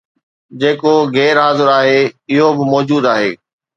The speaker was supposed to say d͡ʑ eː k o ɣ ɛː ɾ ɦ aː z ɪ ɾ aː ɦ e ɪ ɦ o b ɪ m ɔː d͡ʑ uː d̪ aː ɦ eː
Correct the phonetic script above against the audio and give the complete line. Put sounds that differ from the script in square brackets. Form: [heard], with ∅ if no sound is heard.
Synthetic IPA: d͡ʑ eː k o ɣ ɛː ɾ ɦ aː z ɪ ɾ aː ɦ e ɪ ɦ o b ɪ m ɔː d͡ʑ uː d̪ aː ɦ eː